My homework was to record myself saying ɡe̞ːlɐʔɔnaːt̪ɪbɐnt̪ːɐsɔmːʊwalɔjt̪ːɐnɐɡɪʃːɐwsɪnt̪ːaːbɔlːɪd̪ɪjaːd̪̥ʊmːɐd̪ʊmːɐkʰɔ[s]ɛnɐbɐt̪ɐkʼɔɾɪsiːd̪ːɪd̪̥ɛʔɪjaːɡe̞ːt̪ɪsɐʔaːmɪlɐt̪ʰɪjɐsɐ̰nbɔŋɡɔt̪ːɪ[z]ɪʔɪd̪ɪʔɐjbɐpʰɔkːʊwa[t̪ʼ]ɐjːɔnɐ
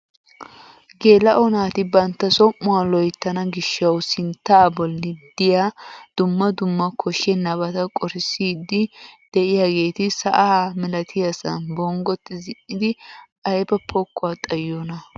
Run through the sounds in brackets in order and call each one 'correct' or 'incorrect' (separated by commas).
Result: incorrect, correct, correct